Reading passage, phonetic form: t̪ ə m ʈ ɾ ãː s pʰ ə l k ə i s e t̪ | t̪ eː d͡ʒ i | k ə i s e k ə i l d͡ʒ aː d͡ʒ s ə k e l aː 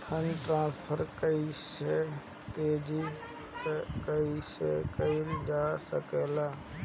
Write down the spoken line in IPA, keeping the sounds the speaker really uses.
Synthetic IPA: t̪ʰ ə n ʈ ɾ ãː s pʰ ə ɾ k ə i s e | t̪ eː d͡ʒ i | k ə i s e k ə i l d͡ʒ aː s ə k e l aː